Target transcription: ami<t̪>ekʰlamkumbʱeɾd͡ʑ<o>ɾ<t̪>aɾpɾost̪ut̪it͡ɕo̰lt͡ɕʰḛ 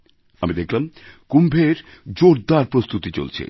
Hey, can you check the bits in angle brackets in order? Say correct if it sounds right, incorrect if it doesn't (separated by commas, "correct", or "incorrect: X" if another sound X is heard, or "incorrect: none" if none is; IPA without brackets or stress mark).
incorrect: d̪, correct, incorrect: d̪